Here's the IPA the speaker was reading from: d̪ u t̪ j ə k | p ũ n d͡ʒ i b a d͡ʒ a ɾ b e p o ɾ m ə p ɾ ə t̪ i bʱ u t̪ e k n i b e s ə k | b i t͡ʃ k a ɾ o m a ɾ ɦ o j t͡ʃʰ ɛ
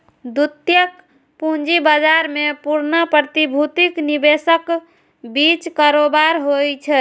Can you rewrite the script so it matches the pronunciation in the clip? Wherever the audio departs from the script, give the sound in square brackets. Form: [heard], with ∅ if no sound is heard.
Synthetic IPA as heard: d̪ u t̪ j ə k | p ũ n d͡ʒ i b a d͡ʒ a ɾ [m] e p [u] ɾ [n] ə p ɾ ə t̪ i bʱ u t̪ [i] k n i b e s ə k | b i t͡ʃ k a ɾ o [b] a ɾ ɦ o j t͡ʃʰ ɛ